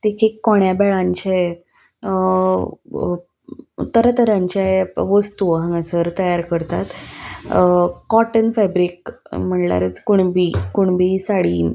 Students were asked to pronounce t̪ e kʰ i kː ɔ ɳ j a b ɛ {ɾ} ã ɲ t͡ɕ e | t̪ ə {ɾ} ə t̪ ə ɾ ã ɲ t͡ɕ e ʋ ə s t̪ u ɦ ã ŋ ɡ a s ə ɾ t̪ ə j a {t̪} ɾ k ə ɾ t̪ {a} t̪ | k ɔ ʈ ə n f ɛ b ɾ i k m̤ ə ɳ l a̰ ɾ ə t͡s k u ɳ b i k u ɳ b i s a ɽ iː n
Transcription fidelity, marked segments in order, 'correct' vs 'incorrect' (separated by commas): incorrect, correct, incorrect, correct